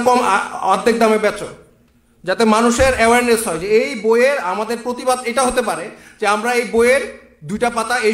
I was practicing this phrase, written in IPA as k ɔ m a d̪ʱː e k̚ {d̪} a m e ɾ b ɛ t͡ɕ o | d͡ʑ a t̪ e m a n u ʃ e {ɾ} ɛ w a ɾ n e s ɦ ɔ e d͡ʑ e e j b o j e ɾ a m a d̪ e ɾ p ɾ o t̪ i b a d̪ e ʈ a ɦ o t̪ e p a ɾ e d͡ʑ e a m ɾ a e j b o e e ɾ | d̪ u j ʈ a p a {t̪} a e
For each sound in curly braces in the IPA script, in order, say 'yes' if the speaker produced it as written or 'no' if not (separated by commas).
yes, yes, yes